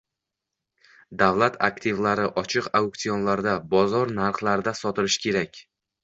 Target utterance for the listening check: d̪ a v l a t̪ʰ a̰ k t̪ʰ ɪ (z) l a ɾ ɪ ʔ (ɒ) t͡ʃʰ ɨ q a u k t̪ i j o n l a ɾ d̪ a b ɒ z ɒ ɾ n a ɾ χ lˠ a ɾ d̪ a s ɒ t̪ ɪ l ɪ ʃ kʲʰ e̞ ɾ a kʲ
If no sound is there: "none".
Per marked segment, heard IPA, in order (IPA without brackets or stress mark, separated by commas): v, ɒ